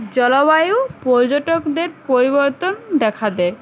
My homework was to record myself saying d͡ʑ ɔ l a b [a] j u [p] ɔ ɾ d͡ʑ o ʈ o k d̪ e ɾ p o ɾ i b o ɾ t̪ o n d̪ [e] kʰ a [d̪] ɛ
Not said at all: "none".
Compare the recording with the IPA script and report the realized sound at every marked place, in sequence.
a, p, ɛ, d̪

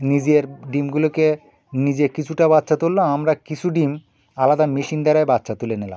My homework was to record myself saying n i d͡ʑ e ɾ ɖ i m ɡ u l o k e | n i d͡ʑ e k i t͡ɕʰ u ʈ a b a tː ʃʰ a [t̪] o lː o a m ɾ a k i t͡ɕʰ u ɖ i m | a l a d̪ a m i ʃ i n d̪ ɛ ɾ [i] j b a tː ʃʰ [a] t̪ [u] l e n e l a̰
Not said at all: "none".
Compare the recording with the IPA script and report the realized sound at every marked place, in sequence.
t̪, a, a, u

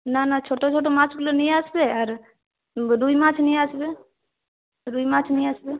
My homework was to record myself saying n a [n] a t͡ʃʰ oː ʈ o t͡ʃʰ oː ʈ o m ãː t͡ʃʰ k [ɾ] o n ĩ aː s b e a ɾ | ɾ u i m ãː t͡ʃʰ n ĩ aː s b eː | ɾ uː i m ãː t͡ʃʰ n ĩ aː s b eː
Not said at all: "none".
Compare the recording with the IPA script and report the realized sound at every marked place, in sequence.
n, l

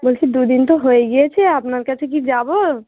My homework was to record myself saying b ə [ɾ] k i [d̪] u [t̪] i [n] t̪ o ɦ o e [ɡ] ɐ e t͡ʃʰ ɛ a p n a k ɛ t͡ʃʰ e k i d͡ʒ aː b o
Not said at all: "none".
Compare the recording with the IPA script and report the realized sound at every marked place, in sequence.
l, d̪, d̪, n, ɡ

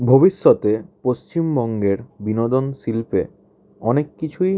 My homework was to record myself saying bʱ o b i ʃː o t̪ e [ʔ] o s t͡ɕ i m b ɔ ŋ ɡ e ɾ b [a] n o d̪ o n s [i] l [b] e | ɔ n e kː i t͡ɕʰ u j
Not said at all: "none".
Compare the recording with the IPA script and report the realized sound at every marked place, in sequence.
p, i, i, p

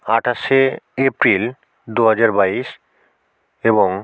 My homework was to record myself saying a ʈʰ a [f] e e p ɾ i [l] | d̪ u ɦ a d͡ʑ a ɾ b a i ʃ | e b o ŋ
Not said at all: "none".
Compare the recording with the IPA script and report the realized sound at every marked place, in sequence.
ʃ, l

